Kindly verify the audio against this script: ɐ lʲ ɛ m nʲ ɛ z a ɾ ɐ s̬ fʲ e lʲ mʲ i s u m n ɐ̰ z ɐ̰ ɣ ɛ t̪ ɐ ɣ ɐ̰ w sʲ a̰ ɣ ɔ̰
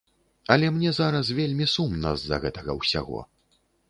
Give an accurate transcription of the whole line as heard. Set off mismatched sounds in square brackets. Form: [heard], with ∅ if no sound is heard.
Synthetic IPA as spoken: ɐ lʲ ɛ m nʲ ɛ z a ɾ ɐ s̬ [vʲ] e lʲ mʲ i s u m n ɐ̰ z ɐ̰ ɣ ɛ t̪ ɐ ɣ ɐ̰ w sʲ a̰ ɣ ɔ̰